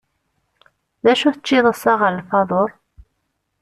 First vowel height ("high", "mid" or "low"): low